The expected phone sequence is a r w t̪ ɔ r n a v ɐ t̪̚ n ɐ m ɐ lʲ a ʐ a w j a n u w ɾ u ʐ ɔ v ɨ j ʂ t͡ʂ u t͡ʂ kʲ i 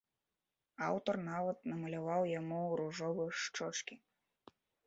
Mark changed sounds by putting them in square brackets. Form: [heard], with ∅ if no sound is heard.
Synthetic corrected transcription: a [∅] w t̪ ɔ r n a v ɐ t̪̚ n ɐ m ɐ lʲ a [v] a w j a [m] u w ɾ u ʐ ɔ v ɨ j ʂ t͡ʂ [ɔ] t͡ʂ kʲ i